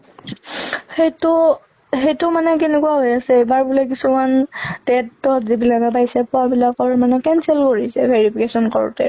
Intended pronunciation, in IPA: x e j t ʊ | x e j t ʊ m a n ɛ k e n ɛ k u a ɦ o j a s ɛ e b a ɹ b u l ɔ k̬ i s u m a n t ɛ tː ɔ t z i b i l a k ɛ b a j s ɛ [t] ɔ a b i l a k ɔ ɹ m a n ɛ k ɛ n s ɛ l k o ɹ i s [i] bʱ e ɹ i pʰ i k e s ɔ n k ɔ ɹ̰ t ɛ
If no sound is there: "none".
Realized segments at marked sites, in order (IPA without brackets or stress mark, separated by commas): p, ɛ